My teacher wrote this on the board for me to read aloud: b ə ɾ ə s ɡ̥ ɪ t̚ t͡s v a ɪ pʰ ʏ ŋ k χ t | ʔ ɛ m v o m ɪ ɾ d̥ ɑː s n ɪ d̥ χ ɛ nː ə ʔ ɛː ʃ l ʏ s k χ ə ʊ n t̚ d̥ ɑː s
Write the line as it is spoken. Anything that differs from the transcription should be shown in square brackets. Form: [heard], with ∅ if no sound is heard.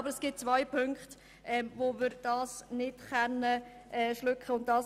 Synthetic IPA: b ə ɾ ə s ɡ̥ ɪ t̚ t͡s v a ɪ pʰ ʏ ŋ k χ t | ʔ ɛ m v o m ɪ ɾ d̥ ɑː s n ɪ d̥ χ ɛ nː ə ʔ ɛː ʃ l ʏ [∅] k χ ə ʊ n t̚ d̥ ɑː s